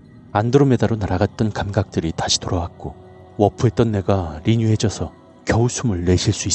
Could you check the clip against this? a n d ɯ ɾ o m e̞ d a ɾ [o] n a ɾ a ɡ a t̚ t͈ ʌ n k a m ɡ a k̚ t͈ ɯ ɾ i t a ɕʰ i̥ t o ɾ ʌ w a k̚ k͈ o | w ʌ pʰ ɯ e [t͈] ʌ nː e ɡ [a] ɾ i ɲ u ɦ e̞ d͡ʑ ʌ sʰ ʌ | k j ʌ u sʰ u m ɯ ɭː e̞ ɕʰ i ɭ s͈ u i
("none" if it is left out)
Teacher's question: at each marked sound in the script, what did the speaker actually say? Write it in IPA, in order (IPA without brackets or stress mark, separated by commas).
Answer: o, t͈, a